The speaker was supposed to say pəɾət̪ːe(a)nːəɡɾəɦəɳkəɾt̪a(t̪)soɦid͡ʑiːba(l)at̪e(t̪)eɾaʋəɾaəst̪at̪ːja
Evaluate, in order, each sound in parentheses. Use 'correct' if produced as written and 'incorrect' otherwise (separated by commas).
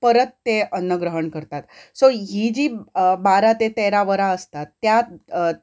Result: incorrect, correct, incorrect, correct